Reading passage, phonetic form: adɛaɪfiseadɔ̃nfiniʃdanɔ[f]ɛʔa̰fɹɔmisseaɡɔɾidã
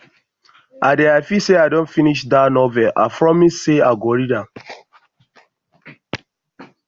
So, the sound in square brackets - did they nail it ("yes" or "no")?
no